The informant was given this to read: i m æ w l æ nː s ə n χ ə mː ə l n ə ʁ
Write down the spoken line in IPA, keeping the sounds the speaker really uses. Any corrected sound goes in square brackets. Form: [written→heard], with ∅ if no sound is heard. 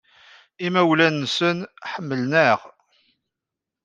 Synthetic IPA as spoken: i m æ w l æ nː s ə n [χ→ħ] ə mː ə l n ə ʁ

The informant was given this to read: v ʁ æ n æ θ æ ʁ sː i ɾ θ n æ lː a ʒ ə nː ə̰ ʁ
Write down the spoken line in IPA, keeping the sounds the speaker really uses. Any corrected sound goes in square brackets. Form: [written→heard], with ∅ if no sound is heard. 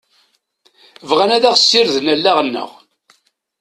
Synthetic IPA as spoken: v ʁ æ n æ [θ→ð] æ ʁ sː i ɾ [θ→ð] n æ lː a [ʒ→ʁ] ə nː ə̰ ʁ

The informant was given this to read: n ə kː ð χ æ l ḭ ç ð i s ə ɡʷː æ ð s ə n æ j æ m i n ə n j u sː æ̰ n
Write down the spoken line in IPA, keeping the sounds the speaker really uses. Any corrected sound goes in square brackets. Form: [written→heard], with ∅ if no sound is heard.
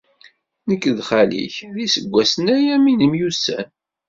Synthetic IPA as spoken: n ə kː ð χ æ l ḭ ç ð i s ə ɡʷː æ [ð→∅] s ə n æ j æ m i n ə [n→m] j u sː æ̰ n

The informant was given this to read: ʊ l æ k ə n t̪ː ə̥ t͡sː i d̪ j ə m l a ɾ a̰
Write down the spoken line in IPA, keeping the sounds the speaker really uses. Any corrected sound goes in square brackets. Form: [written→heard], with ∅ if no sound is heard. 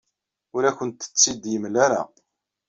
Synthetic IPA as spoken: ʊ [l→ɾ] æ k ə n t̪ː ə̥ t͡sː i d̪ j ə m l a ɾ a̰

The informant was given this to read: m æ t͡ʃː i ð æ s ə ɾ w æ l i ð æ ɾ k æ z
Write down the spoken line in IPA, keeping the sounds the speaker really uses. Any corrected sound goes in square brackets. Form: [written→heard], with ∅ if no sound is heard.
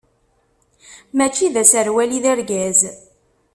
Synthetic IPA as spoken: m æ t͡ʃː i ð æ s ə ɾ w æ l i ð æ ɾ [k→ɡ] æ z

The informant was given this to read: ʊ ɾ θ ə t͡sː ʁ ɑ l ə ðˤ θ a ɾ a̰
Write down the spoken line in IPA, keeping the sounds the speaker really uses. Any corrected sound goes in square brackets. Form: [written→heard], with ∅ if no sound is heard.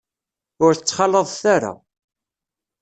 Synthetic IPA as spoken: ʊ ɾ θ ə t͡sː [ʁ→χ] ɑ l ə ðˤ θ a ɾ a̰

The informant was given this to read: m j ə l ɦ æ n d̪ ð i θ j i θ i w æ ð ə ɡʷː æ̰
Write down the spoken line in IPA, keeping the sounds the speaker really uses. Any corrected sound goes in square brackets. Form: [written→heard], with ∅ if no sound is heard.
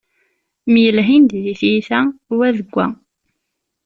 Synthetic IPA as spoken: m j ə l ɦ [æ→i] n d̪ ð i θ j i θ [i→æ] w æ ð ə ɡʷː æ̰

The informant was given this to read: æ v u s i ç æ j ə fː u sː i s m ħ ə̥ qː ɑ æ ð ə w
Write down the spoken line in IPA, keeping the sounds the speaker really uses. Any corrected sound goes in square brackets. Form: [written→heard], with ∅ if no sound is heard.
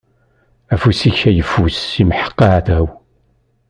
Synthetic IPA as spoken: æ [v→f] u s i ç æ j ə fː u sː i [s→∅] m ħ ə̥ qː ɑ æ [ð→θ] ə w

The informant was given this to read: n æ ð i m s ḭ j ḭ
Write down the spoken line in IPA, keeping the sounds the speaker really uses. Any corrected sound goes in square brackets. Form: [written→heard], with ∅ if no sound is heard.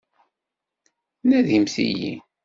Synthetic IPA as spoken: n æ ð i m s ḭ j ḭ

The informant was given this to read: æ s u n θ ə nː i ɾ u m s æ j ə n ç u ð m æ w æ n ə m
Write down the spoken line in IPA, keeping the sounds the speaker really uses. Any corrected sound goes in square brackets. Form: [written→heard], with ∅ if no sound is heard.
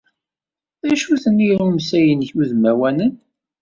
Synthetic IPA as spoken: æ [s→ʃ] u [n→∅] θ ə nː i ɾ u m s æ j ə n ç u ð m æ w æ n ə [m→n]

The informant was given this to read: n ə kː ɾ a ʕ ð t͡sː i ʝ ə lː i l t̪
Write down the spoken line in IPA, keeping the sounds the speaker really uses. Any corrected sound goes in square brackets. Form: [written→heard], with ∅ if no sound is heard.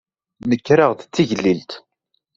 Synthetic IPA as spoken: n ə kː ɾ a [ʕ→ʁ] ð t͡sː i ʝ ə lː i l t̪

